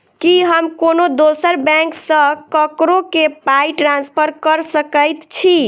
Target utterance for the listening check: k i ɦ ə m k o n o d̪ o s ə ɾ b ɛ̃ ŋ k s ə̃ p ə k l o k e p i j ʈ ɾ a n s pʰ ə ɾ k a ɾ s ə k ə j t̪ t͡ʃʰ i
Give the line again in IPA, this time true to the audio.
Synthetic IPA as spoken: k i ɦ ə m k o n o d̪ o s ə ɾ b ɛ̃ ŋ k s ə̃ k ə k ɾ o k e p a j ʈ ɾ a n s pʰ ə ɾ k ə ɾ s ə k ə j t̪ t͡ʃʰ i